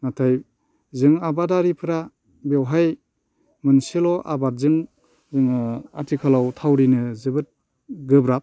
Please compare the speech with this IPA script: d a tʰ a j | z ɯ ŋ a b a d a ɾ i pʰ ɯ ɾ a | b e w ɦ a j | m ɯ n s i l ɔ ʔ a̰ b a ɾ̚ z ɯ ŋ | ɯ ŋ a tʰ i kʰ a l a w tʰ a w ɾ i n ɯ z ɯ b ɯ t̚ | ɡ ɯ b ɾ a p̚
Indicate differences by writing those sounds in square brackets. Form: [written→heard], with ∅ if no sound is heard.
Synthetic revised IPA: [d→n] a tʰ a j | z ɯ ŋ a b a d a ɾ i pʰ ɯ ɾ a | b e w ɦ a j | m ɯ n s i l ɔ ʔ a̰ b a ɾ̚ z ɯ ŋ | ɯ ŋ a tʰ i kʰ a l a w tʰ a w ɾ i n ɯ z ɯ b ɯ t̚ | ɡ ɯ b ɾ a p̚